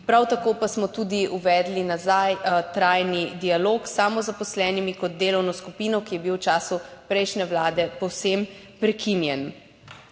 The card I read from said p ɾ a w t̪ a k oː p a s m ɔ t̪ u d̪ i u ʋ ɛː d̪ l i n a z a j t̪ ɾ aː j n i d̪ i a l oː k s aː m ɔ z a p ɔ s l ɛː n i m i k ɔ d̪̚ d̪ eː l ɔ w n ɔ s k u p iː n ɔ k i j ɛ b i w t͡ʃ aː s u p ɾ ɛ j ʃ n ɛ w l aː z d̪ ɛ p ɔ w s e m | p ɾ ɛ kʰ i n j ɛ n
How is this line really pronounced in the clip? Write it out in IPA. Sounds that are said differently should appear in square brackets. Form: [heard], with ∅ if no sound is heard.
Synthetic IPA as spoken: p ɾ a w t̪ a k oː p a s m ɔ t̪ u d̪ i u ʋ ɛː d̪ l i n a z a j t̪ ɾ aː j n i d̪ i a l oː k s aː m ɔ z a p ɔ s l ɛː n i m i k ɔ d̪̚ d̪ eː l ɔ w n ɔ s k u p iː n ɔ k i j ɛ b i w t͡ʃ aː s u p ɾ ɛ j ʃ n ɛ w l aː [∅] d̪ ɛ p ɔ w s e m | p ɾ ɛ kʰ i n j ɛ n